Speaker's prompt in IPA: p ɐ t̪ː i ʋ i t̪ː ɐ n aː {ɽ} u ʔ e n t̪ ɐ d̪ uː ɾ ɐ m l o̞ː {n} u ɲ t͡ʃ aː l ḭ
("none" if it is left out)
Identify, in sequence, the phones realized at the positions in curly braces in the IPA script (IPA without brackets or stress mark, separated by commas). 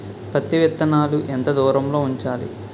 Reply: l, none